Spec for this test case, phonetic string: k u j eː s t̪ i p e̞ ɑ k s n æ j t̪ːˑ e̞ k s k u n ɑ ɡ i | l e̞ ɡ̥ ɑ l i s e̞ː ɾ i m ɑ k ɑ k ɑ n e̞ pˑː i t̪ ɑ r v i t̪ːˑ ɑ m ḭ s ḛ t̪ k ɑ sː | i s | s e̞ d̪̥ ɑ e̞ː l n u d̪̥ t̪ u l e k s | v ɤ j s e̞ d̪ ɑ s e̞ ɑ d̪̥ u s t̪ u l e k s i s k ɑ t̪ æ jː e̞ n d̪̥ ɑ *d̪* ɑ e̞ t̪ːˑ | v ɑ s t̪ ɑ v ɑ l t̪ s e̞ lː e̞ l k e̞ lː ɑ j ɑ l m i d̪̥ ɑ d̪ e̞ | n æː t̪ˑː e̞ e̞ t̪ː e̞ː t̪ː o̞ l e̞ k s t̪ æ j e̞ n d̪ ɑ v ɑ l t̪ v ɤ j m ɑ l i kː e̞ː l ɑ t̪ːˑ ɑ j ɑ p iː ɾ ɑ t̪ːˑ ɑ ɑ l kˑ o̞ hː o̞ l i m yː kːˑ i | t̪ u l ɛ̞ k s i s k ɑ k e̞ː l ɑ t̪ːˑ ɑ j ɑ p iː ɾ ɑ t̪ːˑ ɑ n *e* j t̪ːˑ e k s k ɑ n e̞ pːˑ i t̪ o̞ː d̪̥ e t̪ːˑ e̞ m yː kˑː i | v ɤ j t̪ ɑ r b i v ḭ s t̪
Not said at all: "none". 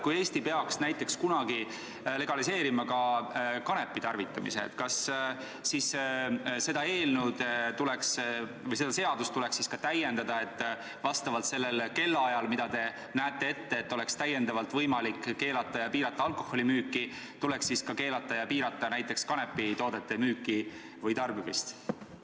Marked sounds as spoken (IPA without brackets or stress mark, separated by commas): d̪, æ